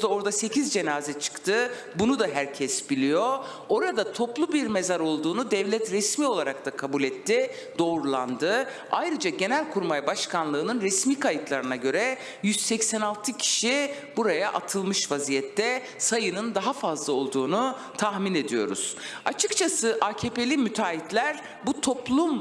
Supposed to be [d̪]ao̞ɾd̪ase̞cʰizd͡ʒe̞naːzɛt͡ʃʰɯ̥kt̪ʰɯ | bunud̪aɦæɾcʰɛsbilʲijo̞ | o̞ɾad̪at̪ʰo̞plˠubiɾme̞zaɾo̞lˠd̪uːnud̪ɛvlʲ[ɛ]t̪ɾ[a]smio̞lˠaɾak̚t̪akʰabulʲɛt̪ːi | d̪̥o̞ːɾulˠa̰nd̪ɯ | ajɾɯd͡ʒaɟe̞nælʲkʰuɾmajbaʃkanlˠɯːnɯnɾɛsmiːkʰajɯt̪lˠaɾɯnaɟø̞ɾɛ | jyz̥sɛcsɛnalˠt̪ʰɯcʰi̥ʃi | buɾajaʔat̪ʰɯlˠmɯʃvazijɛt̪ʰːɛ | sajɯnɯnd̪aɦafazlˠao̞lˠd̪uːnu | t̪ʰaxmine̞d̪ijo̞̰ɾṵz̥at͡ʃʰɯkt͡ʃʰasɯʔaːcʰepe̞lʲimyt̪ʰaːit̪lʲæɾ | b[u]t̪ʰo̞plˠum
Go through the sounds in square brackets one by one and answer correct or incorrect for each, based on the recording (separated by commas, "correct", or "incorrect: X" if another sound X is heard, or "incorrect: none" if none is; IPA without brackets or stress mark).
correct, correct, incorrect: ɛ, correct